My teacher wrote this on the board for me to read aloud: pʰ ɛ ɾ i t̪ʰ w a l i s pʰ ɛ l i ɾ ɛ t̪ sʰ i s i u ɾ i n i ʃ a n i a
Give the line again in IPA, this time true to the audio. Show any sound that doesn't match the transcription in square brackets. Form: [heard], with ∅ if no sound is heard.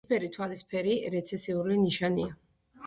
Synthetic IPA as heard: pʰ ɛ ɾ i t̪ʰ w a l i s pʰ ɛ [ɾ] i ɾ ɛ t̪ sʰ [ɛ] s i u [l] i n i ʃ a n i a